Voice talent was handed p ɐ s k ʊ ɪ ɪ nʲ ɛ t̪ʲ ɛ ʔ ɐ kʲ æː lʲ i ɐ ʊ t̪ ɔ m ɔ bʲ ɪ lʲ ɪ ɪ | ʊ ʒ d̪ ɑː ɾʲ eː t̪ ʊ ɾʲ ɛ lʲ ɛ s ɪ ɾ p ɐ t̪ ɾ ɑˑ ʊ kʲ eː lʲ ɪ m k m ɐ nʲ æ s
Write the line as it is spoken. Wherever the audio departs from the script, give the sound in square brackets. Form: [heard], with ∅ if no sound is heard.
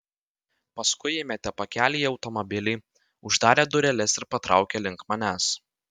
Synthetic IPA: p ɐ s k ʊ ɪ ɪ [mʲ] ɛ t̪ʲ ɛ [p] ɐ kʲ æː lʲ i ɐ ʊ t̪ ɔ m ɔ bʲ ɪ lʲ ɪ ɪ | ʊ ʒ d̪ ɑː ɾʲ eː [d̪] ʊ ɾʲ ɛ lʲ ɛ s ɪ ɾ p ɐ t̪ ɾ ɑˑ ʊ kʲ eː lʲ ɪ [ŋ] k m ɐ nʲ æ s